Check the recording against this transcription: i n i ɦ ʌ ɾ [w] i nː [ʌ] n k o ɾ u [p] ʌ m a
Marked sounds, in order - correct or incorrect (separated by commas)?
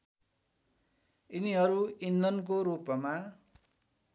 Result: incorrect, correct, correct